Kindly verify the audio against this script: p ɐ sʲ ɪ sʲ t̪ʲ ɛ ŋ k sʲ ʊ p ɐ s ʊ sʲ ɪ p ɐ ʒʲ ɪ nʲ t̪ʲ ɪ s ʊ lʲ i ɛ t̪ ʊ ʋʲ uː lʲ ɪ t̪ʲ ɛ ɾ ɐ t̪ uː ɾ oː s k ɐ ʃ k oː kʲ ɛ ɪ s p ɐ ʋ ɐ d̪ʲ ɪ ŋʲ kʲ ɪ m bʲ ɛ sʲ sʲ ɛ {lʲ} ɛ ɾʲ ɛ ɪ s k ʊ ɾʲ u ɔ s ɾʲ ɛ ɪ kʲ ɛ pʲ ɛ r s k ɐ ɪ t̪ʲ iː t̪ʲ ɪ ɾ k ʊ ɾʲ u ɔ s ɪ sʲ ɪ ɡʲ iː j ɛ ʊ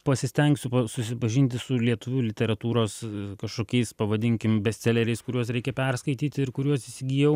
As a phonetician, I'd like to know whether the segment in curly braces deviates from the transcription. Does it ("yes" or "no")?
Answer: no